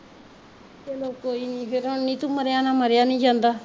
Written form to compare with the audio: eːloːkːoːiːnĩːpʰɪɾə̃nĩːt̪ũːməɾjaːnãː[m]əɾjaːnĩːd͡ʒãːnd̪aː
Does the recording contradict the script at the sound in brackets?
no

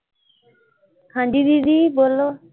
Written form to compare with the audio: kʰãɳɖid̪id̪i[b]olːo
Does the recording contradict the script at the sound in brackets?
no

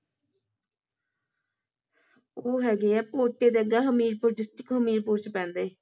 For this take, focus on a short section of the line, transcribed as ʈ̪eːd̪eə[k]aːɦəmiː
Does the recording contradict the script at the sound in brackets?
yes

